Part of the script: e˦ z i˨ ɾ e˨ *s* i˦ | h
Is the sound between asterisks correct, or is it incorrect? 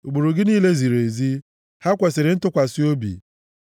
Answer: incorrect